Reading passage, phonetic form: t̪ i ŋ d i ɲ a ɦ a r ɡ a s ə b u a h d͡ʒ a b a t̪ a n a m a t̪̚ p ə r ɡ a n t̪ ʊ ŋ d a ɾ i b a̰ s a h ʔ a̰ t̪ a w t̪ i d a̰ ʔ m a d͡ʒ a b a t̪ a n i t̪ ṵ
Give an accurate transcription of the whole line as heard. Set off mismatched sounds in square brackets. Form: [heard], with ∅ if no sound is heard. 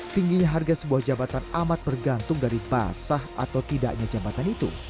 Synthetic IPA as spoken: t̪ i ŋ [ɡ] i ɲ a ɦ a r ɡ a s ə b u a h d͡ʒ a b a t̪ a n a m a t̪̚ [b] ə r ɡ a n t̪ ʊ ŋ d a ɾ i b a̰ s a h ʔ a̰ t̪ a w t̪ i d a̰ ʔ [ɲ] a d͡ʒ a b a t̪ a n i t̪ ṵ